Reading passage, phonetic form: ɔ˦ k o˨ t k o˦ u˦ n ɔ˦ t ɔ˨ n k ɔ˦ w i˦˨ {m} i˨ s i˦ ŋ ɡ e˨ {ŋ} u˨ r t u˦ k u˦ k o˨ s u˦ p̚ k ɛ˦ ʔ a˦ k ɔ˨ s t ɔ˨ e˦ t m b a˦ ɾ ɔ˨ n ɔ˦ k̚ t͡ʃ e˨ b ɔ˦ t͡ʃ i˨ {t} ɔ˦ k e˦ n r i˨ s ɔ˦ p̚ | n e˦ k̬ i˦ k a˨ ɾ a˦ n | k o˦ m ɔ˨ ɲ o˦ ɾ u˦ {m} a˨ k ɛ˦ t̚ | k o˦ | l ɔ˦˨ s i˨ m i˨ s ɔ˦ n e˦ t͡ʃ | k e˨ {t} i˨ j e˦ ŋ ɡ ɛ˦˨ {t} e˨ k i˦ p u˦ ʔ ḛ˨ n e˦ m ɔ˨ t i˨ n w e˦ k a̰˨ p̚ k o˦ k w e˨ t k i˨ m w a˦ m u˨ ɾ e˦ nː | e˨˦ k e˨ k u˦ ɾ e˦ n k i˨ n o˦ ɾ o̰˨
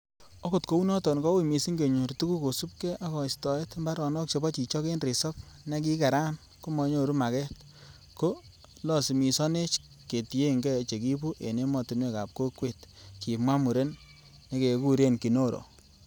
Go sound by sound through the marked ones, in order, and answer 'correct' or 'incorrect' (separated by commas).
correct, incorrect, incorrect, correct, correct, incorrect